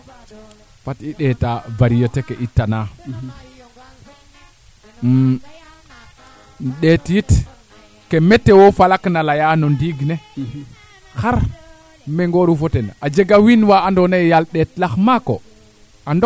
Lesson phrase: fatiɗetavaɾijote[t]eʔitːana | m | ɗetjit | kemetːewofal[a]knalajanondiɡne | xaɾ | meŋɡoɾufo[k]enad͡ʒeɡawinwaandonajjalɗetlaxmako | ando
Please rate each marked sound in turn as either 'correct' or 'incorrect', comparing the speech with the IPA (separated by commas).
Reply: incorrect, correct, incorrect